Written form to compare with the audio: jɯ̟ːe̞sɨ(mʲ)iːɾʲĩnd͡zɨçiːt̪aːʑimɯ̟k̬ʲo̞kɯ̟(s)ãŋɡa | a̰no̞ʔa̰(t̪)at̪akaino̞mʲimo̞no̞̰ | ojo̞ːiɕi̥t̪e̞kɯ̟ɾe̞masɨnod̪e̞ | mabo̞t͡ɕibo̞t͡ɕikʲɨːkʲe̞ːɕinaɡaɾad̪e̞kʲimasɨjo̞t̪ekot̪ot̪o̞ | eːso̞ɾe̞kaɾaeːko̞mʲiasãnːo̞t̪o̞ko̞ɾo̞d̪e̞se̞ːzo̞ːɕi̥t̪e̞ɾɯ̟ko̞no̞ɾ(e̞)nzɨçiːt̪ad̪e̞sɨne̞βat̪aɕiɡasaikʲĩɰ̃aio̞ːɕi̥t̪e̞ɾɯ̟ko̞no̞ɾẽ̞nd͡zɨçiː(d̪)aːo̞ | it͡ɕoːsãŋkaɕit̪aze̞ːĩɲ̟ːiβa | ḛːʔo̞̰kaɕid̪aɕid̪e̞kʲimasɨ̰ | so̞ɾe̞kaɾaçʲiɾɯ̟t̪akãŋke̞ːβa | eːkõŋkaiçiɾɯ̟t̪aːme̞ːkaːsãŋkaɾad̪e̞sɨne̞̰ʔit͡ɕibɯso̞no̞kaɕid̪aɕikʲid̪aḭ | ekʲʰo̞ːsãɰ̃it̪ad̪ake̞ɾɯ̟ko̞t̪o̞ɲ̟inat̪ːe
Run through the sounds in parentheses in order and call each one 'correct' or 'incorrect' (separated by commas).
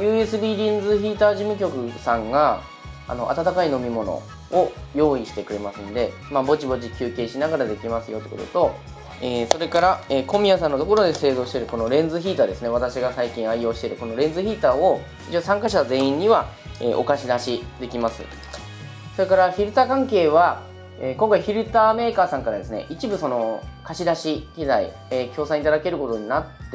incorrect, correct, correct, incorrect, incorrect